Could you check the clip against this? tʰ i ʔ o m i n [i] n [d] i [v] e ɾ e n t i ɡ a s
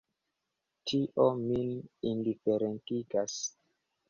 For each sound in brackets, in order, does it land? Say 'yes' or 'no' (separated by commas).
yes, yes, no